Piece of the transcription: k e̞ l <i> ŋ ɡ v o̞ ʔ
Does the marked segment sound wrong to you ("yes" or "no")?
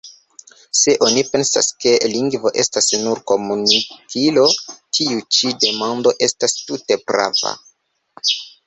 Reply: no